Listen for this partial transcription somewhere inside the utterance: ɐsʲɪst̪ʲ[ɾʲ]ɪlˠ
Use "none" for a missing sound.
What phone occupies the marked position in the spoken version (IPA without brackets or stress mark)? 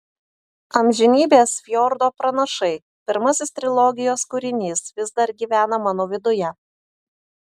ɾʲ